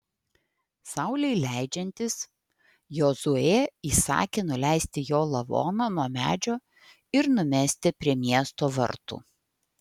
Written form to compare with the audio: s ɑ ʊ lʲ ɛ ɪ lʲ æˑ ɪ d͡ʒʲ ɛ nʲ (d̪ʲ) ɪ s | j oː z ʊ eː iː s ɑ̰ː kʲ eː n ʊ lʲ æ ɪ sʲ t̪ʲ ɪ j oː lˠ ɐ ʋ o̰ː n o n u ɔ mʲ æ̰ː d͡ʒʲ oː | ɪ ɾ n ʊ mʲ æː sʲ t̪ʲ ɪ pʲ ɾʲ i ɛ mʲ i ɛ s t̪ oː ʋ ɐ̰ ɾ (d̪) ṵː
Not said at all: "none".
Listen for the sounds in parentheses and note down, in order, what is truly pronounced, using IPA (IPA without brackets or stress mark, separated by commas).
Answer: t̪ʲ, t̪